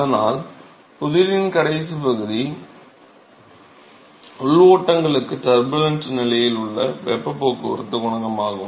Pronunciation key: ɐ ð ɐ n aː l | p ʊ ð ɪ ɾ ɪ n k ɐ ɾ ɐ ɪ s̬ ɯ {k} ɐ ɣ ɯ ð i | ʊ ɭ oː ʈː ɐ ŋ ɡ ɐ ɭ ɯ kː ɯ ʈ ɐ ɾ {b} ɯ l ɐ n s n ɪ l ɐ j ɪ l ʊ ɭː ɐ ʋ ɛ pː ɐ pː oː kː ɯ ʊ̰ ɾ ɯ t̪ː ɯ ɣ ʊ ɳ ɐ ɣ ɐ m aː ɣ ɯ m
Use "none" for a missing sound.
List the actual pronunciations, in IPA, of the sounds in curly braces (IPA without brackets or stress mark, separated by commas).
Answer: p, b